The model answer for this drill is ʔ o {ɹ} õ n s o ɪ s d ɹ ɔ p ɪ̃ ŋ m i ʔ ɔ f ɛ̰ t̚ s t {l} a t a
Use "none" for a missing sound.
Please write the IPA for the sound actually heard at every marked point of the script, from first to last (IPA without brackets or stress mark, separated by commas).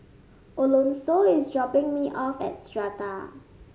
l, ɹ